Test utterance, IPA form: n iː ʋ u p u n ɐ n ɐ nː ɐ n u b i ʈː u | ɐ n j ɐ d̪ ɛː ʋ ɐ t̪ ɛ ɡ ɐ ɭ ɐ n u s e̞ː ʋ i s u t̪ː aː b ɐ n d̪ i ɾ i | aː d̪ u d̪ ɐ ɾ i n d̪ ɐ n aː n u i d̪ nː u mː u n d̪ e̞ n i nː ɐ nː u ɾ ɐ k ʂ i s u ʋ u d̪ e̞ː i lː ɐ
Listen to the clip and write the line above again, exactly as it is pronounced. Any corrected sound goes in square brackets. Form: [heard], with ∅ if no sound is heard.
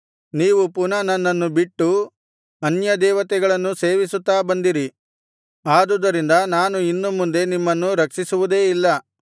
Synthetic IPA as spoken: n iː ʋ u p u n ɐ n ɐ nː ɐ [nː] u b i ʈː u | ɐ n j ɐ d̪ ɛː ʋ ɐ t̪ ɛ ɡ ɐ ɭ ɐ [nː] u s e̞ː ʋ i s u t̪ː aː b ɐ n d̪ i ɾ i | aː d̪ u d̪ ɐ ɾ i n d̪ ɐ n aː n u i [∅] nː u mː u n d̪ e̞ n i [mː] ɐ nː u ɾ ɐ k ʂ i s u ʋ u d̪ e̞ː i lː ɐ